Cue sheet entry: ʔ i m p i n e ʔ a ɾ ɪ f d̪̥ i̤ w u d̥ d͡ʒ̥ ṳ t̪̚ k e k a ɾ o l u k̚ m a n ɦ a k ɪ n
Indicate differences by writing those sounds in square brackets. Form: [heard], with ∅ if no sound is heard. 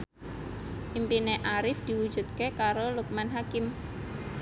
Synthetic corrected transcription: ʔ i m p i n e ʔ a ɾ ɪ f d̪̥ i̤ w u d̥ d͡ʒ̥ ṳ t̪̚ k e k a ɾ o l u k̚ m a n ɦ a k ɪ [m]